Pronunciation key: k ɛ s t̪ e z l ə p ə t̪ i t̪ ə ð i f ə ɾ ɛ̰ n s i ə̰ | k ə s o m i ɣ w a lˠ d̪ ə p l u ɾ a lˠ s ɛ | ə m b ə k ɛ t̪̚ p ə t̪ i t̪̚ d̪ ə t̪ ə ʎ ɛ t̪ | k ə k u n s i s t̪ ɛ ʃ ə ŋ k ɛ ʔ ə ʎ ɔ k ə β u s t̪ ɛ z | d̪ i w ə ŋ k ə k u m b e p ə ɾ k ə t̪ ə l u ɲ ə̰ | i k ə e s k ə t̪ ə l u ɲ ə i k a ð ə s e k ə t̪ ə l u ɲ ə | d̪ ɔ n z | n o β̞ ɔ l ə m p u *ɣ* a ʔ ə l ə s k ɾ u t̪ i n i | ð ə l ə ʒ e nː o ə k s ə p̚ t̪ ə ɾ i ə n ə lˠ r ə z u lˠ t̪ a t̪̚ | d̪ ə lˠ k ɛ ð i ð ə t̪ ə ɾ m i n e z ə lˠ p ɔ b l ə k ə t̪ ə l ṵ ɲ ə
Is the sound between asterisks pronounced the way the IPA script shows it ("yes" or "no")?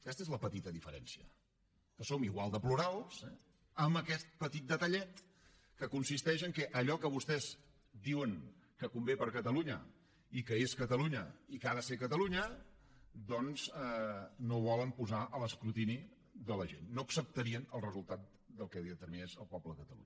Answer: no